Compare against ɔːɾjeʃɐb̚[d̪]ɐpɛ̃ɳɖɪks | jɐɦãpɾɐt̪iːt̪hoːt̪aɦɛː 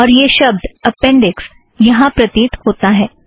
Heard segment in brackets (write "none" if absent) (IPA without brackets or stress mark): d̪